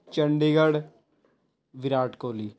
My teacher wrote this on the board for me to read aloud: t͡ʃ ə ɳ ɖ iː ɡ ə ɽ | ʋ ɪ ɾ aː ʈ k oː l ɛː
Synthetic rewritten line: t͡ʃ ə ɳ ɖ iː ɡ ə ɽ | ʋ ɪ ɾ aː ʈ k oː l iː